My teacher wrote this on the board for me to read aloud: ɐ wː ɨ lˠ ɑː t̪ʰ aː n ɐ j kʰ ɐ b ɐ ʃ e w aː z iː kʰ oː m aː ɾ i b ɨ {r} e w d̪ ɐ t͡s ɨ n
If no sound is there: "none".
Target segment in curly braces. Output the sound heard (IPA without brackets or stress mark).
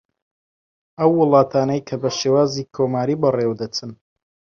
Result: r